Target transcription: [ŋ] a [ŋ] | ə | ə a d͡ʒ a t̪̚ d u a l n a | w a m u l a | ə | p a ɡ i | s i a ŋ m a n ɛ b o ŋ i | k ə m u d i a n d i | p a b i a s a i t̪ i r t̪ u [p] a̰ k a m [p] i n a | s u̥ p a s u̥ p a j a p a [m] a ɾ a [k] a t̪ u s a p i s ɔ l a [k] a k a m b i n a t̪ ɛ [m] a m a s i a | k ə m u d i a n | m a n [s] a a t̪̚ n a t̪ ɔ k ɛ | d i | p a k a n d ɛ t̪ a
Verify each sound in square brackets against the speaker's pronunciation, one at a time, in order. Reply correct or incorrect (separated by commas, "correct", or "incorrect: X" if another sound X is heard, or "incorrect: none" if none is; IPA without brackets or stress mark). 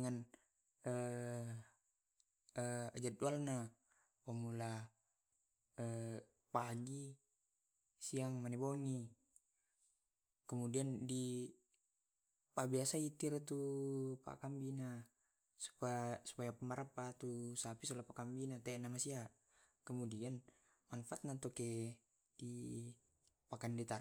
correct, incorrect: n, correct, incorrect: b, correct, incorrect: p, incorrect: p, incorrect: n, incorrect: f